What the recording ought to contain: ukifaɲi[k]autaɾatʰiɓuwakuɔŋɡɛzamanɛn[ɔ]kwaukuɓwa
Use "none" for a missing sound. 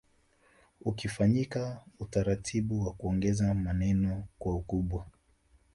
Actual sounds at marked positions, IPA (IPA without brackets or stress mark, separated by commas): k, ɔ